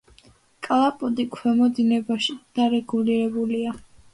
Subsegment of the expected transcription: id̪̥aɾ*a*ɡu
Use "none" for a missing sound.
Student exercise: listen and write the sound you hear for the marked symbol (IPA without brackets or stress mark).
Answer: ɛ